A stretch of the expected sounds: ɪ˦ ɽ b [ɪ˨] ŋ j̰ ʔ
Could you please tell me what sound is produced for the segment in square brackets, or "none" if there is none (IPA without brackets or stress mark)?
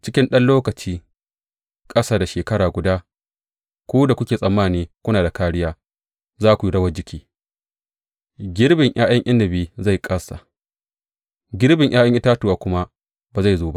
ɪ˨